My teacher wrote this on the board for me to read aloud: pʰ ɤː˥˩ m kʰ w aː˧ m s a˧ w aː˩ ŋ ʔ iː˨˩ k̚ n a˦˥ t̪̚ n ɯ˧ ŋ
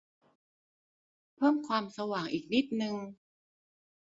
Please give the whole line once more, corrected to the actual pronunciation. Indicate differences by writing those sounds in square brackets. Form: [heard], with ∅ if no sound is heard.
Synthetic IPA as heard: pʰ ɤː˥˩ m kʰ w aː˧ m s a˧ w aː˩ ŋ ʔ iː˨˩ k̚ n [i˦˥] t̪̚ n ɯ˧ ŋ